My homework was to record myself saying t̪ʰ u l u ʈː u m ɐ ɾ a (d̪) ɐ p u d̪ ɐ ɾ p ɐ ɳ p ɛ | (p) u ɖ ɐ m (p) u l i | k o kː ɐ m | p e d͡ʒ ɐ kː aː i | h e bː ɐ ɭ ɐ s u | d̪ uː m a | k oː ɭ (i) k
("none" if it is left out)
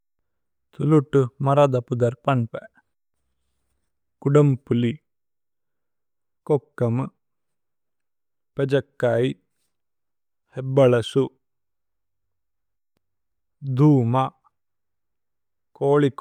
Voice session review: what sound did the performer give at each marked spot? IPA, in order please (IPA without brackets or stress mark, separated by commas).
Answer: d̪, k, p, i